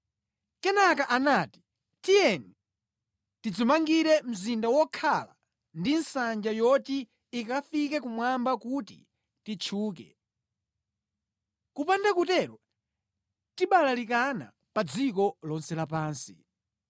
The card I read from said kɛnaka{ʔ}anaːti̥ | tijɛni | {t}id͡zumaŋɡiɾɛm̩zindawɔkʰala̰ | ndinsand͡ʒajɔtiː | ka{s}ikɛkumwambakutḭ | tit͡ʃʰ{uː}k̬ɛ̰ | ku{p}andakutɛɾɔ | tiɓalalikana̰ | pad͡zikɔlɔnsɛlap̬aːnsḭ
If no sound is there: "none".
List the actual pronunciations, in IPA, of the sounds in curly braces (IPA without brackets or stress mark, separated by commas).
ʔ, t, f, uː, p